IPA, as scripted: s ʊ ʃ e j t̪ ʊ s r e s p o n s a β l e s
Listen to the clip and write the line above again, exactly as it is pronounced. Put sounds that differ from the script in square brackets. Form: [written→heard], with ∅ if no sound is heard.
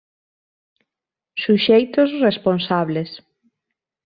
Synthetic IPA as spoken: s [ʊ→u] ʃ e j t̪ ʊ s r e s p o n s a β l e s